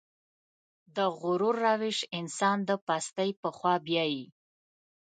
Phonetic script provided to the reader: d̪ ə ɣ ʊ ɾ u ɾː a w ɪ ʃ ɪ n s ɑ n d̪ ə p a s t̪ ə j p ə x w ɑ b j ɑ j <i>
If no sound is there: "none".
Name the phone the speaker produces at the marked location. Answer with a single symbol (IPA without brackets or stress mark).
i